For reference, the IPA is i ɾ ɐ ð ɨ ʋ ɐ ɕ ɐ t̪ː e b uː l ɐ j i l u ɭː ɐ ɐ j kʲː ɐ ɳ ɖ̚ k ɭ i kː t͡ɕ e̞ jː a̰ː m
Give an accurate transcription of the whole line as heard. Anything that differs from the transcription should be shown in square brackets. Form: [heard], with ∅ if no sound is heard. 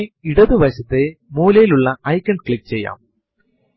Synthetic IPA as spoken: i [ɽ] ɐ ð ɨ ʋ ɐ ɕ ɐ t̪ː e [m] uː l ɐ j i l u ɭː ɐ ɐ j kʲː ɐ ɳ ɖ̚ k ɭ i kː t͡ɕ e̞ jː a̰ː m